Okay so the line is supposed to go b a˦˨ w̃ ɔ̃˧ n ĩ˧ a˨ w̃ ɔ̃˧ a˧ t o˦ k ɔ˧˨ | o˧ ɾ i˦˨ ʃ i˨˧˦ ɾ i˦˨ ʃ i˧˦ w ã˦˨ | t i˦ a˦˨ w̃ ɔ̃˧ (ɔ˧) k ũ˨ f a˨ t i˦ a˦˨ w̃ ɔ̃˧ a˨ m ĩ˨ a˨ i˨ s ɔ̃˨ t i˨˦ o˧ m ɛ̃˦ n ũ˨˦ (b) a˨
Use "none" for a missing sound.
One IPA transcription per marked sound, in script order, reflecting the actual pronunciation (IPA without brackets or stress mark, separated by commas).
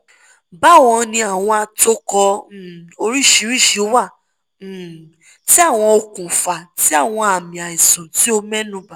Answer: o˧, b